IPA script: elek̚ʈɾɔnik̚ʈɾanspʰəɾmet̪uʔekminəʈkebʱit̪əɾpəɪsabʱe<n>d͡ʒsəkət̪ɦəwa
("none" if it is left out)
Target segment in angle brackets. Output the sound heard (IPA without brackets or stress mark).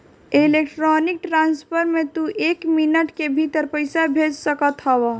none